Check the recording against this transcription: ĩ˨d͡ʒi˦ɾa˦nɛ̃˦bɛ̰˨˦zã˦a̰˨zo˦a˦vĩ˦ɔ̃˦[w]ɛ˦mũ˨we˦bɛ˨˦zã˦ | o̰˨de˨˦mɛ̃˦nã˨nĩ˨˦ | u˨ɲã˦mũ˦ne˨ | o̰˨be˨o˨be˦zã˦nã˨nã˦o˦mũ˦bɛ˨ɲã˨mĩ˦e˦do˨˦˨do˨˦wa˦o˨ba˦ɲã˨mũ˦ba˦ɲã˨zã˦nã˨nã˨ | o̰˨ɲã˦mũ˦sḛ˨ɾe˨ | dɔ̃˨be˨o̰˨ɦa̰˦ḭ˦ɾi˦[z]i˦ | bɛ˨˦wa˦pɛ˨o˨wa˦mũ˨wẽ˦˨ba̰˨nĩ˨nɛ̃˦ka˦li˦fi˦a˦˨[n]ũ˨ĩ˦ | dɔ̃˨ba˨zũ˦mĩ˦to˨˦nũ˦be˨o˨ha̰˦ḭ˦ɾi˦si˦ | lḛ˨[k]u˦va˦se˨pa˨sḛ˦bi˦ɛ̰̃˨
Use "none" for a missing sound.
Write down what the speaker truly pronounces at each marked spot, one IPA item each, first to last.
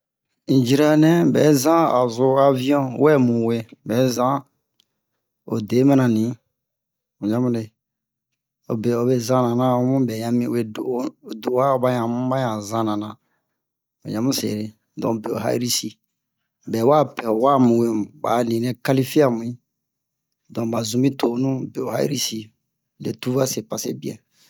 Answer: w, s, m, t

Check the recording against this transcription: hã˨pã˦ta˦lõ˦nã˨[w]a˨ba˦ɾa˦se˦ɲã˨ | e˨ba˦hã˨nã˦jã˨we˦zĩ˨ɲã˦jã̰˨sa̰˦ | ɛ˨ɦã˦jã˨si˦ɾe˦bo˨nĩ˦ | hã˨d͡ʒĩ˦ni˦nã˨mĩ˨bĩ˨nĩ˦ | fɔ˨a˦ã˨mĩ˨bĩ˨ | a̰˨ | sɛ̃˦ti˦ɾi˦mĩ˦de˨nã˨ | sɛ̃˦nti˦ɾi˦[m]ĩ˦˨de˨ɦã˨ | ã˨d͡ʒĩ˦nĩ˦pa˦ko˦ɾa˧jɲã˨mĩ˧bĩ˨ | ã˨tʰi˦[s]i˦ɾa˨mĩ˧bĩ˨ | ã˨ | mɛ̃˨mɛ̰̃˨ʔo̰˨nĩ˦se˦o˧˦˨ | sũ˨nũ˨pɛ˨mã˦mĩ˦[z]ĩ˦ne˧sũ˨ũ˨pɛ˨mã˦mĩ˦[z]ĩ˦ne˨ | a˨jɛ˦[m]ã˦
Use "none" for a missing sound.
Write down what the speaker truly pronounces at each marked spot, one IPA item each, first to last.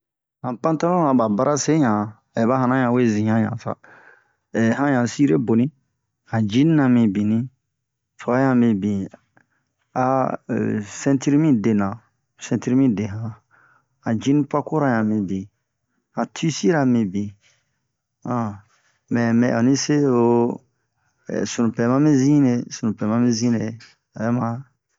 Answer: b, m, s, z, z, m

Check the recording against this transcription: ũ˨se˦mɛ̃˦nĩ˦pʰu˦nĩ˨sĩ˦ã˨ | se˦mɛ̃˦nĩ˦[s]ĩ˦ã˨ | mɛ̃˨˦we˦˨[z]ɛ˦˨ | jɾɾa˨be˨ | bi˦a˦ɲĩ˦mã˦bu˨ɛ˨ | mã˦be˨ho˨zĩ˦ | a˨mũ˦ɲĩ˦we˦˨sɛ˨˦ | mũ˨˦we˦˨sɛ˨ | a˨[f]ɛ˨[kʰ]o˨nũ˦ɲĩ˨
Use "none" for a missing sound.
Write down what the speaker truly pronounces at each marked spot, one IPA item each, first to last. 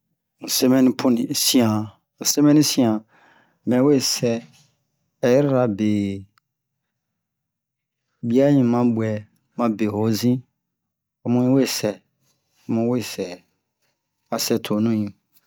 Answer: s, s, s, tʰ

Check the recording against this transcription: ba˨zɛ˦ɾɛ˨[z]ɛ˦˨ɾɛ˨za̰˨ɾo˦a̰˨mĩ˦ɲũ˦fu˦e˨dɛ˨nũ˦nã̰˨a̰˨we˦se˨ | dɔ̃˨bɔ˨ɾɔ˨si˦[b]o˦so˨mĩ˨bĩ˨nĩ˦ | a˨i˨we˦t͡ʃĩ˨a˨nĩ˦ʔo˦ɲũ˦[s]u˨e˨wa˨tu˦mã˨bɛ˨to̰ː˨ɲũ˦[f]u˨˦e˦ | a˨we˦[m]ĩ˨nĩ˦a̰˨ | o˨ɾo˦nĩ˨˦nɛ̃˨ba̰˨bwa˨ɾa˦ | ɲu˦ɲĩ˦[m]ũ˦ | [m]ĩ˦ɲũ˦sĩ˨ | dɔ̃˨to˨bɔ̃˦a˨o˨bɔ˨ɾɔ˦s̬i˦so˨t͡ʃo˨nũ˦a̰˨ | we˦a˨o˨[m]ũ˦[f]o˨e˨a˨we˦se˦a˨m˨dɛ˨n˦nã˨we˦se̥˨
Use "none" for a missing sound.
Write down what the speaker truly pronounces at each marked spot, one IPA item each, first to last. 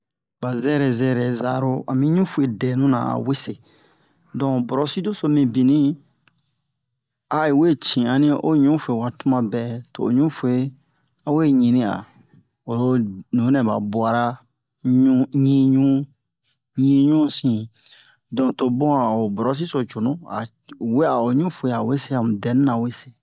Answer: z, d, f, f, ɲ, ɲ, ɲ, ɲ, f

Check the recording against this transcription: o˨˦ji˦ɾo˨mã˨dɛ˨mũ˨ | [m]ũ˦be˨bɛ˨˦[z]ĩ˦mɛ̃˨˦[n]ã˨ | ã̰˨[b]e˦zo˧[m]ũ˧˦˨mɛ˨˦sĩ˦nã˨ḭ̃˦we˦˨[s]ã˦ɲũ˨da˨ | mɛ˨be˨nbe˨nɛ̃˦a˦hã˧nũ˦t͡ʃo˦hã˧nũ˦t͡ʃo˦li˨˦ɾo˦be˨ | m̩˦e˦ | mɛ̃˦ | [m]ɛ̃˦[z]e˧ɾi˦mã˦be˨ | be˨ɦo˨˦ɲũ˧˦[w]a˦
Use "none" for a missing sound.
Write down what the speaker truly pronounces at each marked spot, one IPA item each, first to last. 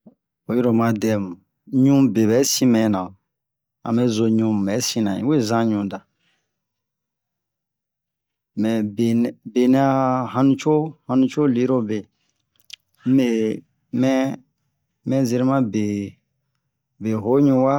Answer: ɲ, s, n, m, ɲ, z, m, z, w

